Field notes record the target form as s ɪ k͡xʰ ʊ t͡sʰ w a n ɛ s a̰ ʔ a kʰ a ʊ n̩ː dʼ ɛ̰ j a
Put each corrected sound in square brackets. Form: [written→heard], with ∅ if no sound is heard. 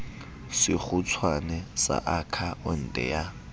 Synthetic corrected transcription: s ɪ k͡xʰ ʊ t͡sʰ w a n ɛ s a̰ ʔ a kʰ a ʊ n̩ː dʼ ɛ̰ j a

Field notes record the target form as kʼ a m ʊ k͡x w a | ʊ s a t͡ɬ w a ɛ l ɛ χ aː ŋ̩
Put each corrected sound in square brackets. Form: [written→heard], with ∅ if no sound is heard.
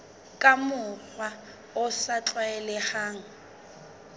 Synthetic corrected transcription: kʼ a m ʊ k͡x w a | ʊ s a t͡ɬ w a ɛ l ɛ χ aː ŋ̩

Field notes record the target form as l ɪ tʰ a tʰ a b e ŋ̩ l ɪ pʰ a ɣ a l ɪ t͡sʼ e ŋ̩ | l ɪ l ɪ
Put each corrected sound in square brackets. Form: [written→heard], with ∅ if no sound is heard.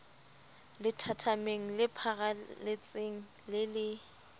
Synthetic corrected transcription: l ɪ tʰ a tʰ a [b→m] e ŋ̩ l ɪ pʰ a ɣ a l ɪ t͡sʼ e ŋ̩ | l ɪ l ɪ

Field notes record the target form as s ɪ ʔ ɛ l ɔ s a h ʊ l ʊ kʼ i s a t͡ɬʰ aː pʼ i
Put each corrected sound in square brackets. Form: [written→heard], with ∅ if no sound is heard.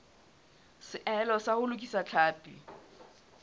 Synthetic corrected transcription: s ɪ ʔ ɛ l ɔ s a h ʊ l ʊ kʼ i s a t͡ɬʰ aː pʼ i

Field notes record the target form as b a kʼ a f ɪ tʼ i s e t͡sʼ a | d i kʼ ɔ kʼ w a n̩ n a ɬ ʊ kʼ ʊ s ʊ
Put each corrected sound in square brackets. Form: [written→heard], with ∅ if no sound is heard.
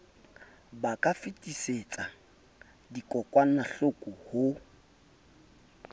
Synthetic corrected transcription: b a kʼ a f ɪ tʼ i s e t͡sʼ a | d i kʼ ɔ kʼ w a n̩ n a ɬ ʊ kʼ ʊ [s→h] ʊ

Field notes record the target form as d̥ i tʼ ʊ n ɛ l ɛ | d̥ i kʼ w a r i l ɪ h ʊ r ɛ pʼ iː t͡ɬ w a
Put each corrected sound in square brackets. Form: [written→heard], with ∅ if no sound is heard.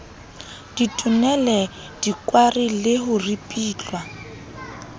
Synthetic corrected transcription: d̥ i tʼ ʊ n ɛ l ɛ | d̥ i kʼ w a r i l ɪ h ʊ r [ɛ→i] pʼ iː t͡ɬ w a

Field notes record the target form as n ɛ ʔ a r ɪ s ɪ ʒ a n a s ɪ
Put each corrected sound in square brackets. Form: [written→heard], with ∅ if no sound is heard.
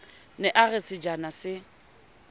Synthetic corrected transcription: n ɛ ʔ a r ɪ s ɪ [ʒ→d͡ʒ] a n a s ɪ

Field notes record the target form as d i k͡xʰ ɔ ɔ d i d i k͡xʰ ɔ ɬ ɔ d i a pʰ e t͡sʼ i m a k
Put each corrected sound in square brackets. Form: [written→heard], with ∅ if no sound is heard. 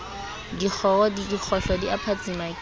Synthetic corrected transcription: d i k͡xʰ ɔ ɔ d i d i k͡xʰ ɔ ɬ ɔ d i a pʰ [e→a] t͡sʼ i m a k

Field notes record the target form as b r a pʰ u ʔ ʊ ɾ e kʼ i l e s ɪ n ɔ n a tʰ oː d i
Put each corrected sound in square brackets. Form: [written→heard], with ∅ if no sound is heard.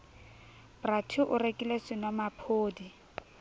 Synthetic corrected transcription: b r a [pʰ→tʰ] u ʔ ʊ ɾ e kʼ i l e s ɪ n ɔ [n→m] a [tʰ→pʰ] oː d i

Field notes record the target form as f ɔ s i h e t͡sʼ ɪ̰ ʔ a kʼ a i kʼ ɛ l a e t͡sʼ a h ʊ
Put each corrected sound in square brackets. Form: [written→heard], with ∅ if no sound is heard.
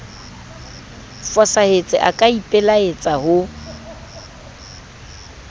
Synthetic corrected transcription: f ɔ s [i→a] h e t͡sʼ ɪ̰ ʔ a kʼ a i [kʼ→pʼ] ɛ l a e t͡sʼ a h ʊ

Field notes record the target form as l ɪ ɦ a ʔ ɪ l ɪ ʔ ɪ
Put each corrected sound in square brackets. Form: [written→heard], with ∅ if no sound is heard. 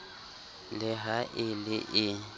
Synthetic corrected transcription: l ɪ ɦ a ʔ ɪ l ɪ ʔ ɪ

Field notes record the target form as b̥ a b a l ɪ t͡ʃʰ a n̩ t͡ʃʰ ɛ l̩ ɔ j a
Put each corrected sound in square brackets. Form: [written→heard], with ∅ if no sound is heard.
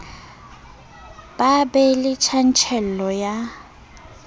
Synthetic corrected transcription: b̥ a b [a→ɛ] l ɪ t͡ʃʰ a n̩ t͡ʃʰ ɛ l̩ ɔ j a

